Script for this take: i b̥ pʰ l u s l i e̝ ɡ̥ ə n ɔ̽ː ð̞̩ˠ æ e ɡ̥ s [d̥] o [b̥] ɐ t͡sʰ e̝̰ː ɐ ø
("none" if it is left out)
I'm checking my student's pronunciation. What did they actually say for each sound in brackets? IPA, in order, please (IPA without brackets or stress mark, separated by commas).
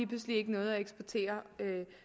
b̥, none